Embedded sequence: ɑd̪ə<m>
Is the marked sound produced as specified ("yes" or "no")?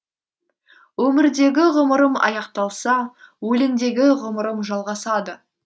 no